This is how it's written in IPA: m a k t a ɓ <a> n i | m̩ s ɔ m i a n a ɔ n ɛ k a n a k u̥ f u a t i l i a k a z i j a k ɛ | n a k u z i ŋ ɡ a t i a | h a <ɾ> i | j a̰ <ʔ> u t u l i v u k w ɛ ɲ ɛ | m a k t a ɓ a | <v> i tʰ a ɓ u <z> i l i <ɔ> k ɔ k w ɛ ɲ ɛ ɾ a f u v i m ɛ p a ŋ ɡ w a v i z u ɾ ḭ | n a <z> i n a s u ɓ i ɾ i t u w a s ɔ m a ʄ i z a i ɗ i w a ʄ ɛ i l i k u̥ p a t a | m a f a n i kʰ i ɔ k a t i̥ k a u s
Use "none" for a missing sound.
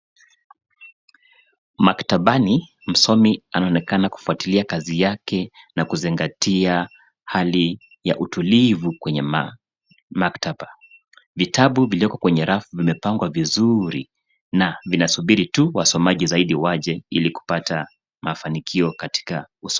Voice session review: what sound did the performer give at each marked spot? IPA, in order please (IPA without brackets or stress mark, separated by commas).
a, l, ʔ, v, v, ɔ, v